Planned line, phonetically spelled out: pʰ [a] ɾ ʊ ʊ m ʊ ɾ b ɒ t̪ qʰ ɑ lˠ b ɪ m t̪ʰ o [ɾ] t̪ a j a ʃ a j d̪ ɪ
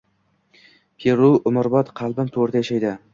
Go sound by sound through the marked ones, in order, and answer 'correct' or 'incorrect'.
incorrect: e, correct

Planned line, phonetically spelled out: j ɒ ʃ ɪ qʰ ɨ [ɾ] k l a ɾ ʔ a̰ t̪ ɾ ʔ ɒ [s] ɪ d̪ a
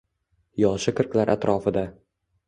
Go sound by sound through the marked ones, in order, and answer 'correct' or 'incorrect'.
correct, incorrect: f

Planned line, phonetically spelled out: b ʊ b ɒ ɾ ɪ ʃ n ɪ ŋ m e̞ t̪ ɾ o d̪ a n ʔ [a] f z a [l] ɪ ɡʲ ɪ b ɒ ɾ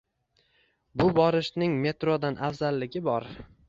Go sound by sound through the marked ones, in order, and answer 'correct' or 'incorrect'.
correct, incorrect: lː

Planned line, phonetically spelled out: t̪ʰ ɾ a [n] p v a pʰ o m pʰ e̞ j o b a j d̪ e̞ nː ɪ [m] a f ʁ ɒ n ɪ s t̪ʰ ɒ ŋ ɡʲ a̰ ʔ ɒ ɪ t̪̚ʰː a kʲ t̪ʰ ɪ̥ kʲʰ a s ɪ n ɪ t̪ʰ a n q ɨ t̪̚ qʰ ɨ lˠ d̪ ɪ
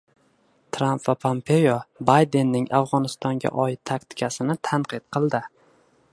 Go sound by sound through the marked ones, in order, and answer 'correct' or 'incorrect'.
incorrect: m, incorrect: ŋ

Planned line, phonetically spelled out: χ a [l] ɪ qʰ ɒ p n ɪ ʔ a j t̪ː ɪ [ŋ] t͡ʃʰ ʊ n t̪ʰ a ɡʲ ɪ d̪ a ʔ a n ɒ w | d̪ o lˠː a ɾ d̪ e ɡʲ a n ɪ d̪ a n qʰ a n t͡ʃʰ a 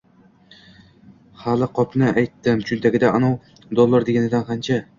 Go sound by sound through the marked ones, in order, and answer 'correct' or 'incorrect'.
correct, incorrect: m

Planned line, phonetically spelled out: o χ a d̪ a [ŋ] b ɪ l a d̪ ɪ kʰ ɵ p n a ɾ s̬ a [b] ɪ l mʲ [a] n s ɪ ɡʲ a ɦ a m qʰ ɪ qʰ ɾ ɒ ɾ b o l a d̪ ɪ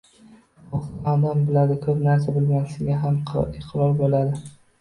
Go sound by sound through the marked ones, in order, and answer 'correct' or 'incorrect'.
incorrect: m, correct, correct

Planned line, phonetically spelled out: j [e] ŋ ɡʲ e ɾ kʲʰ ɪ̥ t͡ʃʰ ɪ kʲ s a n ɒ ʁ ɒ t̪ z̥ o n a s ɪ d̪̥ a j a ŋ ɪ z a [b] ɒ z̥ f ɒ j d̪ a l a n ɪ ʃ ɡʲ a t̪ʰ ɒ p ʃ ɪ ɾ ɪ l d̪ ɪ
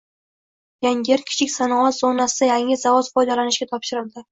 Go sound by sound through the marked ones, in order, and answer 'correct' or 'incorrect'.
incorrect: a, incorrect: v

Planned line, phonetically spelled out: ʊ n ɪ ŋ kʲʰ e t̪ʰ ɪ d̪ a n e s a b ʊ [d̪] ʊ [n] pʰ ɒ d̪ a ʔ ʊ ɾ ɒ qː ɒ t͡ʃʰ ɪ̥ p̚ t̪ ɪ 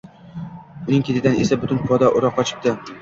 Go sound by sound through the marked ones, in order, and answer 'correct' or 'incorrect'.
incorrect: t̪, correct

